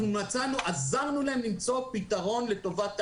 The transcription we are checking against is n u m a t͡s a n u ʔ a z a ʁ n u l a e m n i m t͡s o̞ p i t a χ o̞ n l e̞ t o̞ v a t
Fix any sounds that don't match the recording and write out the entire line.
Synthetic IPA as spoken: n u n a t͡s a n u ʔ a z a ʁ n u l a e m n i m t͡s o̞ p i t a ʁ o̞ n l e̞ t o̞ v a t